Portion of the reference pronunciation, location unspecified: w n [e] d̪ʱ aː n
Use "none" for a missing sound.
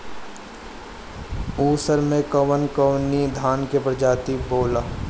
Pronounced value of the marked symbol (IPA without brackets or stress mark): i